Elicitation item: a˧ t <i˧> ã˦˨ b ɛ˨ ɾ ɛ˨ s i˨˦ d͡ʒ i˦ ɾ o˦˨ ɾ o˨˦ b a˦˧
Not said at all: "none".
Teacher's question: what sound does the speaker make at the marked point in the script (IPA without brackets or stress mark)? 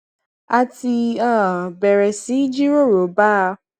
i˧